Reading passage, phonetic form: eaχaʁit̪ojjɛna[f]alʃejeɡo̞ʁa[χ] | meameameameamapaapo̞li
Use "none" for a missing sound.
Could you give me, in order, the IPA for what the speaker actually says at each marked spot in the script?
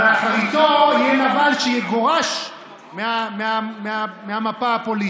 v, ʃ

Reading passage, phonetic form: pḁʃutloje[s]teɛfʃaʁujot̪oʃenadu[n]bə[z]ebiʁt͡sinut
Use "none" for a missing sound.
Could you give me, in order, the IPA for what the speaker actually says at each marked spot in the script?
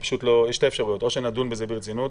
ʃ, n, z

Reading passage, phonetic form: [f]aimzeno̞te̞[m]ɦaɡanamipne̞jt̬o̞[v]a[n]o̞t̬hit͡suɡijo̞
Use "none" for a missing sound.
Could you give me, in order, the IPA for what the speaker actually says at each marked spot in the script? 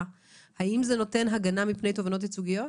h, n, v, n

